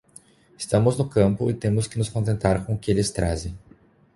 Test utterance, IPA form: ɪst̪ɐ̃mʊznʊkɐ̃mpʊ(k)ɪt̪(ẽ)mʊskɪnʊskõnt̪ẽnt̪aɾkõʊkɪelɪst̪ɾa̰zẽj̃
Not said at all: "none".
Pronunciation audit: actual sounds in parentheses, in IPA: none, ẽ

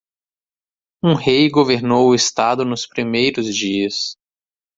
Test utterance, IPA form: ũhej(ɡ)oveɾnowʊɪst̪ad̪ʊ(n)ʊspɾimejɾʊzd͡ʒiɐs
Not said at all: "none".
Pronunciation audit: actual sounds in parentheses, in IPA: ɡ, n

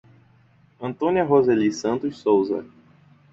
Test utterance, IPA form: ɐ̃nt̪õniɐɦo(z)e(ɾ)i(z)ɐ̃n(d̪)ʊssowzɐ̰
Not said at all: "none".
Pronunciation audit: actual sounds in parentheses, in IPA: z, l, s, t̪

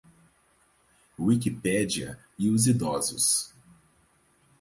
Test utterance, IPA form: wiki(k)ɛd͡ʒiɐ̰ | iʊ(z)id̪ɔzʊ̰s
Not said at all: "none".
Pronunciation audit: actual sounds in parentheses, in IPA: p, z

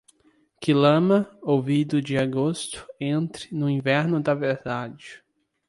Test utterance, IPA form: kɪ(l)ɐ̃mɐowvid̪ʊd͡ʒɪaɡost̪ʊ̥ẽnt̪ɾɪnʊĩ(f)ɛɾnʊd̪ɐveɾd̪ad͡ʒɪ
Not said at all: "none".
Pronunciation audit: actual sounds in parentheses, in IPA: l, v

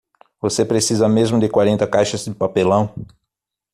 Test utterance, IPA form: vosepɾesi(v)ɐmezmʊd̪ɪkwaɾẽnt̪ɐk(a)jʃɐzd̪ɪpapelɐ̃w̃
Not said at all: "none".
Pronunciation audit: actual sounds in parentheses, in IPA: z, a

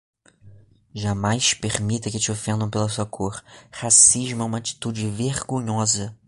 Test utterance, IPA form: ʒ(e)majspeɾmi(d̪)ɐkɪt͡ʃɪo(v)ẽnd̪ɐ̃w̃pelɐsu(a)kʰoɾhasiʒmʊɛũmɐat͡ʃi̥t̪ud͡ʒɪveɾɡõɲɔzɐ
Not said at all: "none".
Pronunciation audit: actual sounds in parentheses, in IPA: a, t̪, f, ɐ

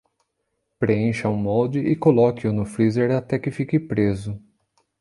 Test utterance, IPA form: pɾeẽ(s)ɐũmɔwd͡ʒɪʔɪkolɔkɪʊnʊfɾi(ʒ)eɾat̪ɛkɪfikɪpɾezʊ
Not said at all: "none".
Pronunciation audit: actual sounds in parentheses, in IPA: ʃ, z

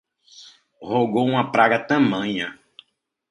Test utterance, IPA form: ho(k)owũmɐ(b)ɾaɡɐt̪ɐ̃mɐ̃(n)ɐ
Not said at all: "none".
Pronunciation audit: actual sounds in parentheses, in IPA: ɡ, p, ɲ

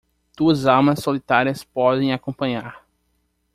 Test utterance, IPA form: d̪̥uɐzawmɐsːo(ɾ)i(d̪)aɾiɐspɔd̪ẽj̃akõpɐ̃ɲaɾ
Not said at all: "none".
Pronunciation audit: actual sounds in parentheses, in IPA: l, t̪

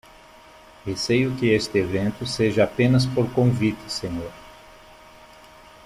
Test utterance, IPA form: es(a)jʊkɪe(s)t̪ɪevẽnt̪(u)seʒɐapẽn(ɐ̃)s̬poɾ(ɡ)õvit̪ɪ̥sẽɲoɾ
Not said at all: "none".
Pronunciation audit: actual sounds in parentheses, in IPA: e, s, ʊ, ɐ, k

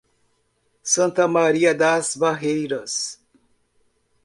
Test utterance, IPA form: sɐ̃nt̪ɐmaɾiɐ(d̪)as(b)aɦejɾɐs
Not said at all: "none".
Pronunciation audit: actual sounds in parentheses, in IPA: d̪, b

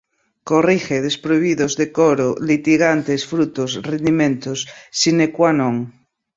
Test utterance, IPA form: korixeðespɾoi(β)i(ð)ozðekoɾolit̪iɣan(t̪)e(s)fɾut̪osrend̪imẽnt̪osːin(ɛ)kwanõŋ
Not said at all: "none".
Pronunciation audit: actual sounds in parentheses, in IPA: β, ð, t̪, s, e

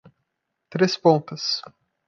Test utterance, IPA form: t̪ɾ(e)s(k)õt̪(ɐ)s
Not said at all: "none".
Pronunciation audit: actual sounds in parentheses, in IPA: e, p, ɐ

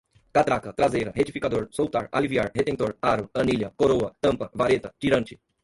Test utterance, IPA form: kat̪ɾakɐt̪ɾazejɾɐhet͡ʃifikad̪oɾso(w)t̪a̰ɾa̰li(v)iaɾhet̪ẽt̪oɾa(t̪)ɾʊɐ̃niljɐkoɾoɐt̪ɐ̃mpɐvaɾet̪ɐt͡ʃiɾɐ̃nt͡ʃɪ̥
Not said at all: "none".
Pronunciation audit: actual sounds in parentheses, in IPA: w, v, none

